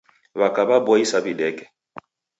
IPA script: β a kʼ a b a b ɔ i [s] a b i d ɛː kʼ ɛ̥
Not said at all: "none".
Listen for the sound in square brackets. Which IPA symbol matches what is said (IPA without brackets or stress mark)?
s